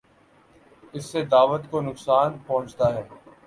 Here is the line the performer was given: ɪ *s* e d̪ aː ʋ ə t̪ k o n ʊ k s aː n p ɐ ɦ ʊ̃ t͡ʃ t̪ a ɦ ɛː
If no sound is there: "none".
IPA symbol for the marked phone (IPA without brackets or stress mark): sː